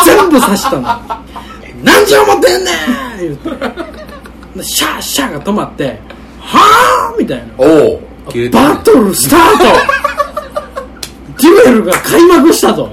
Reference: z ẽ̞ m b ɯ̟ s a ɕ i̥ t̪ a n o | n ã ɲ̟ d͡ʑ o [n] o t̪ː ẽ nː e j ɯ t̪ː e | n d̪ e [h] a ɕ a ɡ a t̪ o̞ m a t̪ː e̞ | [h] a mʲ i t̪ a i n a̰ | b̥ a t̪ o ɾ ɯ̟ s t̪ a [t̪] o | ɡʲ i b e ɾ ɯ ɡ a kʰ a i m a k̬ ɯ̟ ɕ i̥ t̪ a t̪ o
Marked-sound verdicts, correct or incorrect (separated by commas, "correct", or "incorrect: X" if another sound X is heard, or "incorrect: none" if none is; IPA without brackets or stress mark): incorrect: m, incorrect: ɕ, correct, correct